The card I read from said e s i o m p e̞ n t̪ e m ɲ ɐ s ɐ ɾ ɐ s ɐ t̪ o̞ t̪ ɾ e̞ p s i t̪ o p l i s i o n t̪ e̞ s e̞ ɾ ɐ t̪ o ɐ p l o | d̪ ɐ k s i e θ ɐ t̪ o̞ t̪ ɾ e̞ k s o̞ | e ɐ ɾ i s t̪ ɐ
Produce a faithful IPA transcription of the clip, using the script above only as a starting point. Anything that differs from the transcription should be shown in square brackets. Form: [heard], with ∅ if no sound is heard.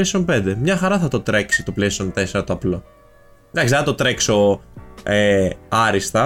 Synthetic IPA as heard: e s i o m p e̞ n [d̪] e m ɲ ɐ [x] ɐ ɾ ɐ [θ] ɐ t̪ o̞ t̪ ɾ e̞ [k] s i t̪ o p l [e] s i o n t̪ e̞ s e̞ ɾ ɐ t̪ o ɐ p l o | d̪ ɐ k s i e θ ɐ t̪ o̞ t̪ ɾ e̞ k s o̞ | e ɐ ɾ i s t̪ ɐ